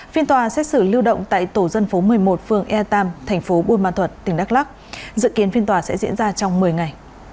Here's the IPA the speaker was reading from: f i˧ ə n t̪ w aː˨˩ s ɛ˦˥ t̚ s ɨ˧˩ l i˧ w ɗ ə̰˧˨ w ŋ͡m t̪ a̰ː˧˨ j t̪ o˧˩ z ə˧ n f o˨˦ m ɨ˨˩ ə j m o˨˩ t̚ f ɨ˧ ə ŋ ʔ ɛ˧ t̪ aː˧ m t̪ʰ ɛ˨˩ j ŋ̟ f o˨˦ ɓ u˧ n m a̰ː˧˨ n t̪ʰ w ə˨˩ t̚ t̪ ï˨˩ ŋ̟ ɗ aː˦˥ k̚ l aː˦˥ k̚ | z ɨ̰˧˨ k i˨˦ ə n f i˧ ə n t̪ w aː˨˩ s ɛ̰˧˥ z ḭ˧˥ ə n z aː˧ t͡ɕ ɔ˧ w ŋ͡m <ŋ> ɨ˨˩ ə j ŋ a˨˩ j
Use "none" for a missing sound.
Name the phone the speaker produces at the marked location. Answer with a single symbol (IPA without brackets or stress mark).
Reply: m